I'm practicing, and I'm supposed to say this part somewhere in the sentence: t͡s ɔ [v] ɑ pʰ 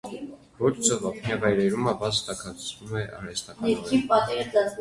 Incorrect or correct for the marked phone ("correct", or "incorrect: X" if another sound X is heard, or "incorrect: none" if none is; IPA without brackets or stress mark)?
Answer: correct